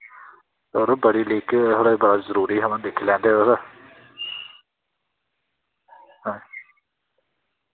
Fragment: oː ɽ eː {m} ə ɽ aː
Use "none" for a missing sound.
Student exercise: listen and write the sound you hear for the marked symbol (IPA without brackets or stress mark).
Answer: b